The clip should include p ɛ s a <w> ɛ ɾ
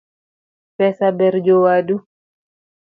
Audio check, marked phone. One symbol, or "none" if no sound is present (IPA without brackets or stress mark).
b